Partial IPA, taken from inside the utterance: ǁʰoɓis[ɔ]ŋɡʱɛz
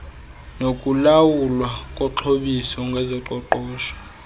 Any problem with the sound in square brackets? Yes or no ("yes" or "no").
no